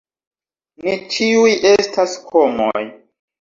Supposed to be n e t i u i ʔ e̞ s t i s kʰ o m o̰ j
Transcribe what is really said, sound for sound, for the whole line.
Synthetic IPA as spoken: n e t͡ʃ i u j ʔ e̞ s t a s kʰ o m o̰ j